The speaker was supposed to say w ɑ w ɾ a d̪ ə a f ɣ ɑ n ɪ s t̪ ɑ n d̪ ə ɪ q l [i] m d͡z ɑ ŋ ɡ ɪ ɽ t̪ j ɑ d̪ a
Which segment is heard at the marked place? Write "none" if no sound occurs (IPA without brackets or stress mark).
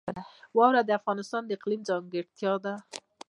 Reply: i